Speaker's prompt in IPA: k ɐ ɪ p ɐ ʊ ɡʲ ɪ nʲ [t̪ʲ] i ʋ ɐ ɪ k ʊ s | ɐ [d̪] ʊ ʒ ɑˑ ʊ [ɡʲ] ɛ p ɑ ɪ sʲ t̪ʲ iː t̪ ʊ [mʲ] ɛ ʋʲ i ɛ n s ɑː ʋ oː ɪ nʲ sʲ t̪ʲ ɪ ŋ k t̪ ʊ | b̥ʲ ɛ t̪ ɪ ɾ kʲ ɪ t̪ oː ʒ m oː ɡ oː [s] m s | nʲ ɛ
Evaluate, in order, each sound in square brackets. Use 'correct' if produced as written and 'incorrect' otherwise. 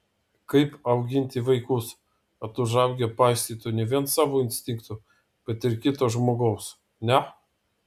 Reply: correct, incorrect, correct, incorrect, incorrect

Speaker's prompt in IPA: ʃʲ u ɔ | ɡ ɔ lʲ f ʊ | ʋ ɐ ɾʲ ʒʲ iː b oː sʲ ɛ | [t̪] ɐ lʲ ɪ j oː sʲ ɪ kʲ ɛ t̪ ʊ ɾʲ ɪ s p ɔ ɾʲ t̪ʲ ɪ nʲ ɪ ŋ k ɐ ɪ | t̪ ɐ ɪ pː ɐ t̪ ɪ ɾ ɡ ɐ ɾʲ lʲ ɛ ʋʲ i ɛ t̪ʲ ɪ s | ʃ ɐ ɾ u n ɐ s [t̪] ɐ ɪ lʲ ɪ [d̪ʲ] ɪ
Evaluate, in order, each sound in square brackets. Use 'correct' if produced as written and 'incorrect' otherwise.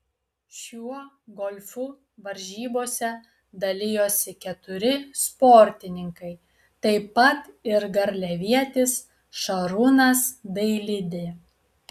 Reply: incorrect, incorrect, correct

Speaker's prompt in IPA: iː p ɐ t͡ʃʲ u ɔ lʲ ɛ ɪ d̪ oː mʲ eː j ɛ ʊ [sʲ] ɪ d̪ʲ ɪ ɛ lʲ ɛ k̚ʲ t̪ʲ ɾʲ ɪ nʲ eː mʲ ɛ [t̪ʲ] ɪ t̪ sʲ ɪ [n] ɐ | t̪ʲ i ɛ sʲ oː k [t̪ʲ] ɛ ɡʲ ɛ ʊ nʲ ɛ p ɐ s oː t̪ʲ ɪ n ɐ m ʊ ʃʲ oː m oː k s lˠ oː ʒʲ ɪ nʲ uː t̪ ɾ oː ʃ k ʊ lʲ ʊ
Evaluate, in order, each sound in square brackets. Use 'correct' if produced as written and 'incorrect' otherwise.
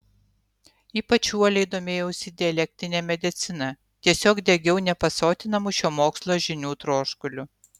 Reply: correct, incorrect, correct, incorrect

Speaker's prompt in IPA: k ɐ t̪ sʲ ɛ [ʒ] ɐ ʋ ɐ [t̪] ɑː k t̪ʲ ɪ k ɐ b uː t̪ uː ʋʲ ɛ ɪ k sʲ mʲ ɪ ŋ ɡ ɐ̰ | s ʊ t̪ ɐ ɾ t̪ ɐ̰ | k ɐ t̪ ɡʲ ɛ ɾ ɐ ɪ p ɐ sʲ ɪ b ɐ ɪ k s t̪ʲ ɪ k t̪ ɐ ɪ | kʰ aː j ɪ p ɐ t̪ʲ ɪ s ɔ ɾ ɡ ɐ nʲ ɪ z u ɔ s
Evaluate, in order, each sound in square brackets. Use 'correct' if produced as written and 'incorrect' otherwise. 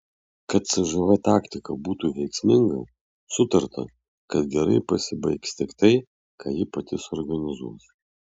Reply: correct, correct

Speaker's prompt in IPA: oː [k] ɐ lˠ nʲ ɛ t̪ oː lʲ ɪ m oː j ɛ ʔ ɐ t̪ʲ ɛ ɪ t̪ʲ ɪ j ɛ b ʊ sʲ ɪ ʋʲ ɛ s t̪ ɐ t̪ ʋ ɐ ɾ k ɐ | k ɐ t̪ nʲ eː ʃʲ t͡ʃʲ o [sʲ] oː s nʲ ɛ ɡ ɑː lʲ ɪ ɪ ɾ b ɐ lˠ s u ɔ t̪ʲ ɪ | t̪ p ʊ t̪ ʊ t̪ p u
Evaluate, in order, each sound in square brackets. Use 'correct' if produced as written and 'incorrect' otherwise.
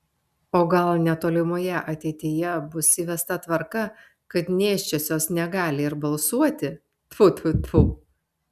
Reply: incorrect, correct

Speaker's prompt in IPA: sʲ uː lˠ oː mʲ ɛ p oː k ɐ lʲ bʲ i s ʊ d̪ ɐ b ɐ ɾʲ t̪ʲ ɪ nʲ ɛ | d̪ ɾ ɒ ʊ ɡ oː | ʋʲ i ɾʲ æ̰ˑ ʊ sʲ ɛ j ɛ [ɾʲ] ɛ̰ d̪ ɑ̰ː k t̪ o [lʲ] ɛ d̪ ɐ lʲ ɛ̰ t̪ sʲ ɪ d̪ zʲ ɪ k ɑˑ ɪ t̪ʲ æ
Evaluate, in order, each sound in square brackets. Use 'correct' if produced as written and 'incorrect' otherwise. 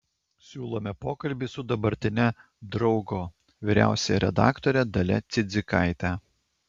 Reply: correct, incorrect

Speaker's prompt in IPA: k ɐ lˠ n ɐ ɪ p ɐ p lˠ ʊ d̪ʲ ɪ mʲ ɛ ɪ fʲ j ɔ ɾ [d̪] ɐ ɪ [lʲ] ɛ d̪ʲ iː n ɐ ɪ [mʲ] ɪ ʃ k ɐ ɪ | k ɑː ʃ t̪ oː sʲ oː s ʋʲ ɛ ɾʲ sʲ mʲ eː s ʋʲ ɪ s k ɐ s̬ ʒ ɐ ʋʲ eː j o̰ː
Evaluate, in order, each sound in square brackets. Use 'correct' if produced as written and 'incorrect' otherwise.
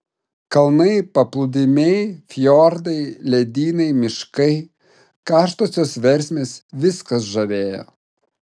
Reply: correct, correct, correct

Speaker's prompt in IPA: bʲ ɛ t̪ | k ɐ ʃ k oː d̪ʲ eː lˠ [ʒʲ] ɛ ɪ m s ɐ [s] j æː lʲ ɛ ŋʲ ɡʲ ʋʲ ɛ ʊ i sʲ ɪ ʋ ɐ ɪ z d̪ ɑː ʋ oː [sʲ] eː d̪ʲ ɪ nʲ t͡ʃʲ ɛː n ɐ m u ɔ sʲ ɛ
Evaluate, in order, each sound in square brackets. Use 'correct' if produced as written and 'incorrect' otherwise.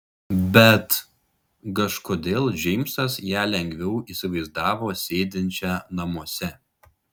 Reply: correct, correct, correct

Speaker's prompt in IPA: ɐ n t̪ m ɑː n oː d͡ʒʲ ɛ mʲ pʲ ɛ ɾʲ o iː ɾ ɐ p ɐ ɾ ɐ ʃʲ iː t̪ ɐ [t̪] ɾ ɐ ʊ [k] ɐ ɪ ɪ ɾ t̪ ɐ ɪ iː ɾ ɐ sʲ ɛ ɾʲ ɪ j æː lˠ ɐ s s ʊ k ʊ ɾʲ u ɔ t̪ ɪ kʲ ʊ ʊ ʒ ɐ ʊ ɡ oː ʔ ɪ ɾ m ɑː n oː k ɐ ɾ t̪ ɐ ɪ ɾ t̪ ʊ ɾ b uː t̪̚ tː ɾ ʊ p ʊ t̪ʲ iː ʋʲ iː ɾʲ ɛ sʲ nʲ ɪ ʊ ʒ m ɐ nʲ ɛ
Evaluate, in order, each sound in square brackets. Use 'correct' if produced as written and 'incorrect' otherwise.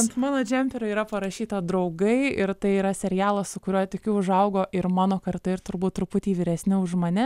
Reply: incorrect, incorrect

